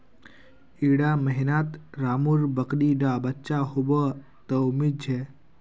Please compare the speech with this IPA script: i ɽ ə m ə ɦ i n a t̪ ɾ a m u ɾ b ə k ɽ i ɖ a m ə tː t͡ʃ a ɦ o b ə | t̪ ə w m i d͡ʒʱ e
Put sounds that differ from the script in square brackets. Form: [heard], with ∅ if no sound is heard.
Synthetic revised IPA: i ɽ [a] m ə ɦ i n a t̪ ɾ a m u ɾ b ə k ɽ i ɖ a [b] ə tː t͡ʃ a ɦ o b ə | t̪ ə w m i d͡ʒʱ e